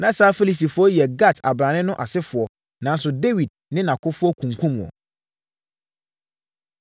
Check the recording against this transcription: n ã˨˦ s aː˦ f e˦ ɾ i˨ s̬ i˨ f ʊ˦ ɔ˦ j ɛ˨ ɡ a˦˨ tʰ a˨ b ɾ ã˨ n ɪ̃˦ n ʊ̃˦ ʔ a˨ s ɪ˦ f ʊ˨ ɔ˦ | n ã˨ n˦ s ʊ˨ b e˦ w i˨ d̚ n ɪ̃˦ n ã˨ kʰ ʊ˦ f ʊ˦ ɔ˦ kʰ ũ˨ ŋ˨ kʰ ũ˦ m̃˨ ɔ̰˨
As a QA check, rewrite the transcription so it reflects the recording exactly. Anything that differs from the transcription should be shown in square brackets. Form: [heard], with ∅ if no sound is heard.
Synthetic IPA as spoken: n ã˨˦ s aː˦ f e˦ [l] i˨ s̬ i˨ f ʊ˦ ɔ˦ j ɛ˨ ɡ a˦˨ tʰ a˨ b ɾ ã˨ n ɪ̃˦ n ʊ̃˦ ʔ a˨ s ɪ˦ f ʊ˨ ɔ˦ | n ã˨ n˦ s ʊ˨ [d] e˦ w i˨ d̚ n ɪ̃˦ n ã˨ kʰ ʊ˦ f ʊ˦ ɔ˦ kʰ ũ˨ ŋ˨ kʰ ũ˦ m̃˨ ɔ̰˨

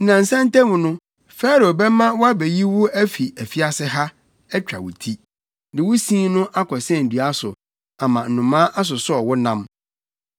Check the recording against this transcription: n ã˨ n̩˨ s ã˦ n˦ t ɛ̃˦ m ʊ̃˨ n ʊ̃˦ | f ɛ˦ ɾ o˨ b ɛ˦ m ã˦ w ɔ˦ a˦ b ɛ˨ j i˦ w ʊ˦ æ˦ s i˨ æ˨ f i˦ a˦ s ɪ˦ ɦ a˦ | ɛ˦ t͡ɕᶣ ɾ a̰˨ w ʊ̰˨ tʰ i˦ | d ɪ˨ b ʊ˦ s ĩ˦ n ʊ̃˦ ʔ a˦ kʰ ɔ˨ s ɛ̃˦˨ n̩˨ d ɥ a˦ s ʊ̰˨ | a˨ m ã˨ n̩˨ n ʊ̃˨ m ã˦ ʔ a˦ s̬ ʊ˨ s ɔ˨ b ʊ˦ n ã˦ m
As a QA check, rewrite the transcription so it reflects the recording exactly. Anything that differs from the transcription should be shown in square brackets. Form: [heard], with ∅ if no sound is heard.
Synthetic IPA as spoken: n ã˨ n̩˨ s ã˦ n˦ t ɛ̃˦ m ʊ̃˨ n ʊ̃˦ | f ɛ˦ ɾ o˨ b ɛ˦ m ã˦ w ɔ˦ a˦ b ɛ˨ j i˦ w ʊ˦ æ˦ [f] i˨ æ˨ f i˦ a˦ s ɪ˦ ɦ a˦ | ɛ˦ t͡ɕᶣ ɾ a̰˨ w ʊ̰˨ tʰ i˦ | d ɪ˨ [w] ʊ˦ s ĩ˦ n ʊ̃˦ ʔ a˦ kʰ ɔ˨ s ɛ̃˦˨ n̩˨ d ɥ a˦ s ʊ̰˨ | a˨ m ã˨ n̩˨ n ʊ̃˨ m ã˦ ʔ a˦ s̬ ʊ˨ s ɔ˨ [w] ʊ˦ n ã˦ m

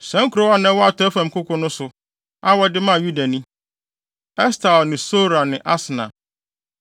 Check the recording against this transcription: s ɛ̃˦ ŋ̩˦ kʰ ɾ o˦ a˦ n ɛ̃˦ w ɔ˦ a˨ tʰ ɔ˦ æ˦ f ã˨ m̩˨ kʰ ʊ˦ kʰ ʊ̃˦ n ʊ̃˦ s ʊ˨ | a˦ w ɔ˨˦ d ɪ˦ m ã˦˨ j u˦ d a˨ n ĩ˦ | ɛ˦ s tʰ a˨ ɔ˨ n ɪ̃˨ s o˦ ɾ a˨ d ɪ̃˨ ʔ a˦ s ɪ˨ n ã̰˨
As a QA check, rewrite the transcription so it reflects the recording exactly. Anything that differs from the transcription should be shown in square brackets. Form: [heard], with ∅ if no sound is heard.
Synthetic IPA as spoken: s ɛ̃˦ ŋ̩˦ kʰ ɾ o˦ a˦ n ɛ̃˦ w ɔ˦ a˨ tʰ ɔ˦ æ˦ f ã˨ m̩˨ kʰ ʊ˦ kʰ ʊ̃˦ n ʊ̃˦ s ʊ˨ | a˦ w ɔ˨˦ d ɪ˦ m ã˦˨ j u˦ d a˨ n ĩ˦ | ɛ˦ s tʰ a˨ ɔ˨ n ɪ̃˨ s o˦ ɾ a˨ [n] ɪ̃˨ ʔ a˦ s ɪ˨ n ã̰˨

